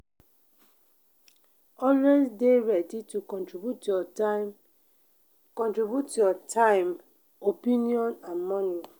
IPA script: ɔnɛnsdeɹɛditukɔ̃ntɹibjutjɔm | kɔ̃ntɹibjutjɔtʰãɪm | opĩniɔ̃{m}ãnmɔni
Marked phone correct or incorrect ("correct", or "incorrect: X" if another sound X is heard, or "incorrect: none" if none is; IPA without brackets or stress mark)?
incorrect: n